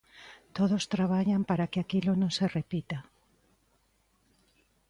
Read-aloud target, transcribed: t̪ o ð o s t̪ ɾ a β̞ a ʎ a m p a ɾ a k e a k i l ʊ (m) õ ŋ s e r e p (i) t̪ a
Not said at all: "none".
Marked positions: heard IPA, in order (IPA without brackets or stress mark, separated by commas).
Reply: n, i